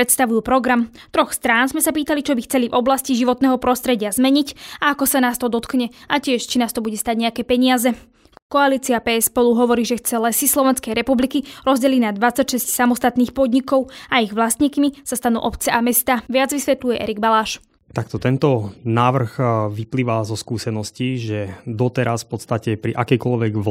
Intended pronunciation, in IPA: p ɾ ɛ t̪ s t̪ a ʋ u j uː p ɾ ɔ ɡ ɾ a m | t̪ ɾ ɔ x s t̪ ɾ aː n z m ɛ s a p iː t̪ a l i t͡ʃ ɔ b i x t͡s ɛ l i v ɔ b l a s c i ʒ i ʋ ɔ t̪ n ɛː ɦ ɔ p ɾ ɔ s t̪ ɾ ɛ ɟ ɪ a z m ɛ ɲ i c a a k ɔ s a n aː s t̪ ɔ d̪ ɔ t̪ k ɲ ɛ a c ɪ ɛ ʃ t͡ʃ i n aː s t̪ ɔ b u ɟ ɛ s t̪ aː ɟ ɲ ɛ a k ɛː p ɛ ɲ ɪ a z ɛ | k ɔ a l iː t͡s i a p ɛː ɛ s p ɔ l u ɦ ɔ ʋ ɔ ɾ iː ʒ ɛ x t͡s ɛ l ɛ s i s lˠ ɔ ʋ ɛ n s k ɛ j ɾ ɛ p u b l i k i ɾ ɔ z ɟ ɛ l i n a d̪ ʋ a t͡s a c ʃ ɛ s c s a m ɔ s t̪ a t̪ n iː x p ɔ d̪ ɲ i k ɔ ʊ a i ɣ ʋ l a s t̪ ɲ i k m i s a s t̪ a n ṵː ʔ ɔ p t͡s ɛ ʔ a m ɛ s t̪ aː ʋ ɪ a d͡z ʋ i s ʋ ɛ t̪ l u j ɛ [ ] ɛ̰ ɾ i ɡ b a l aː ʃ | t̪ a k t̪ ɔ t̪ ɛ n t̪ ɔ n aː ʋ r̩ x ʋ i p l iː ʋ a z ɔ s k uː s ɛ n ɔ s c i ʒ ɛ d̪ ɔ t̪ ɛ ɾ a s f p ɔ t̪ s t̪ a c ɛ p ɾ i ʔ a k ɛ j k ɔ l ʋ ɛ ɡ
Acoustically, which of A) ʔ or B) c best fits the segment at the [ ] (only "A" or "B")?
A